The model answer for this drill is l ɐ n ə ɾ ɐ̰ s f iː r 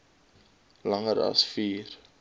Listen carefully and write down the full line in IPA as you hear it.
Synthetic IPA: l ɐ ŋ ə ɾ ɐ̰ s f iː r